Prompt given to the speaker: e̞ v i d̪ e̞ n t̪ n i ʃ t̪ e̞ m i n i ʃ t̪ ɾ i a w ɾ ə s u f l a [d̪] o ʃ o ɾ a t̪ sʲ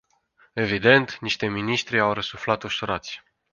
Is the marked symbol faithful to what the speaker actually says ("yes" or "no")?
no